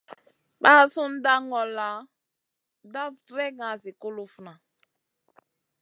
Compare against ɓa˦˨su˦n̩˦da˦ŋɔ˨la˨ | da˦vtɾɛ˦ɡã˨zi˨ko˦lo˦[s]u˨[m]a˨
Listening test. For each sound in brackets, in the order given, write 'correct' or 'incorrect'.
incorrect: f, incorrect: n

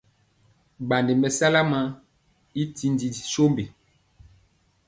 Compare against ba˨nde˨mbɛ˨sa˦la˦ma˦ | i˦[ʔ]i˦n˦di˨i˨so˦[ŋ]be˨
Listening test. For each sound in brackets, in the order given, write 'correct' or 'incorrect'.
incorrect: t, incorrect: m

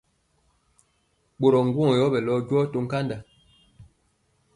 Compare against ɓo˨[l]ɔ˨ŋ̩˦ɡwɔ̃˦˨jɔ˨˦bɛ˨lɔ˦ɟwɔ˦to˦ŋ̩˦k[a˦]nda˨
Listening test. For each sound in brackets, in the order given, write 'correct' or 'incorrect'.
incorrect: ɾ, correct

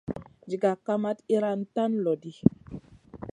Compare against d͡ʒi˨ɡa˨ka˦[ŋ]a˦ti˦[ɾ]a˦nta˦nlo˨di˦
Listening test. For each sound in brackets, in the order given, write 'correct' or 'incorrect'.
incorrect: m, correct

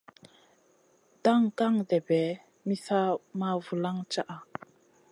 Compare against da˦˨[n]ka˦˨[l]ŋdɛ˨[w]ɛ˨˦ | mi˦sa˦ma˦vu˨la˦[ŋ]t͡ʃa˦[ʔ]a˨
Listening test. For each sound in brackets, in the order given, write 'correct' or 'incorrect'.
incorrect: ŋ, incorrect: none, incorrect: b, correct, correct

